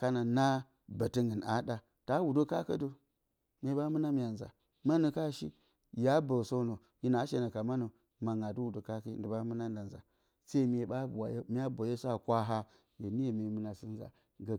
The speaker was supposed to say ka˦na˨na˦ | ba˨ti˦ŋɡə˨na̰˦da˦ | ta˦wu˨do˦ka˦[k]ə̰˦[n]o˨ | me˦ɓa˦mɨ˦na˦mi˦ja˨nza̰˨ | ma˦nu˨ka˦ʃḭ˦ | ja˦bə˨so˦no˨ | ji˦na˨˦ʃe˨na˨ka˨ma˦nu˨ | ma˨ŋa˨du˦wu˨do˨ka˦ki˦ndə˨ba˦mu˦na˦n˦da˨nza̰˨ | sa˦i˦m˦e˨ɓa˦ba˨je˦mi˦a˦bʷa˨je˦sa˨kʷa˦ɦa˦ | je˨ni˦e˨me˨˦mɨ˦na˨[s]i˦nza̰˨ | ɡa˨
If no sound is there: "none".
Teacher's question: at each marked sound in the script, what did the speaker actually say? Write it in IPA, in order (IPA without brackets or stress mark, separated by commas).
k, d, s